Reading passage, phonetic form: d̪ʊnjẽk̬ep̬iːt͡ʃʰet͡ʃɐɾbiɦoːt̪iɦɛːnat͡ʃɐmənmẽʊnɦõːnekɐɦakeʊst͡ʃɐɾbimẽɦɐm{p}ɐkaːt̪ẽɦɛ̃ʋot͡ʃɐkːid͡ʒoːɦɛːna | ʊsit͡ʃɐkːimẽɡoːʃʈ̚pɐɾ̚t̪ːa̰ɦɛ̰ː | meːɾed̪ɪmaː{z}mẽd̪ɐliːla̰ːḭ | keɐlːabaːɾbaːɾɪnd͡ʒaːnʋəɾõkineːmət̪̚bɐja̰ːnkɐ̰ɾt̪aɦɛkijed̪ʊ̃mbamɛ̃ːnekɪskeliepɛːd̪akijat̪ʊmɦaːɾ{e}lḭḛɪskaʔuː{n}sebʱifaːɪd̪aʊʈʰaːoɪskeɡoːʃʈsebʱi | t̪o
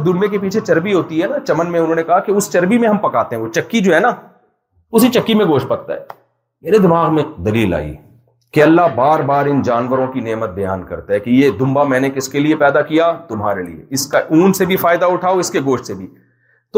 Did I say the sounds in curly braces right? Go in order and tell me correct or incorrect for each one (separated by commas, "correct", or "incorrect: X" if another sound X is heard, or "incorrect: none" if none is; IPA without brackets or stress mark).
correct, incorrect: ɣ, correct, correct